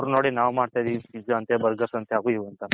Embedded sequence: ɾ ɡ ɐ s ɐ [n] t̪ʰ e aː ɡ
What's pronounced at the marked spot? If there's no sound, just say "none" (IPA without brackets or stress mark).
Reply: n